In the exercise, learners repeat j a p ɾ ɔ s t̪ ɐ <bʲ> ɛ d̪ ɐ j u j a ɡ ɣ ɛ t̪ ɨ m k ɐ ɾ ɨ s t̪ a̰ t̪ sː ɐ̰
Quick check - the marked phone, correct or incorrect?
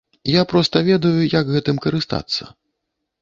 incorrect: vʲ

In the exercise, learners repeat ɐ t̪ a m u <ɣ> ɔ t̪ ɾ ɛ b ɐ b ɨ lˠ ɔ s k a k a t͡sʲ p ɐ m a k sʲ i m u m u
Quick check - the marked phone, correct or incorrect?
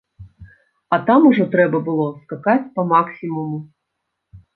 incorrect: ʐ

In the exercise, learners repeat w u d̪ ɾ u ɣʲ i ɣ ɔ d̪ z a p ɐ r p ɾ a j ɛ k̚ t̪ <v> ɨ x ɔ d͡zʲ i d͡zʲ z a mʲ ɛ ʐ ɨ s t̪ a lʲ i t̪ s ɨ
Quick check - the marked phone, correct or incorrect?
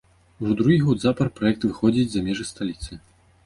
correct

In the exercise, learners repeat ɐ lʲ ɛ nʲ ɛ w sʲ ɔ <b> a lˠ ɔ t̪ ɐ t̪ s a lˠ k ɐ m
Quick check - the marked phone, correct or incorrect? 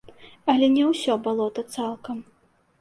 correct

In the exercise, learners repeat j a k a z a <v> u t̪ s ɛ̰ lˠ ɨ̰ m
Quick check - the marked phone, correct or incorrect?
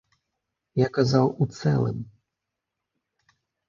incorrect: w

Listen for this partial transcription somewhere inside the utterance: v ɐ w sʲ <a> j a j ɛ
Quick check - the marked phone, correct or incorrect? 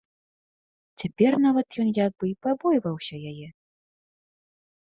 incorrect: ɐ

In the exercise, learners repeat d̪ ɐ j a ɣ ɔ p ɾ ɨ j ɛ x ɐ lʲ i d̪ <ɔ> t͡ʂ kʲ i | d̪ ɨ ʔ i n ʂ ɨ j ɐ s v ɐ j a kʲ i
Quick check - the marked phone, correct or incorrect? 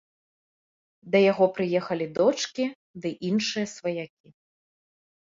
correct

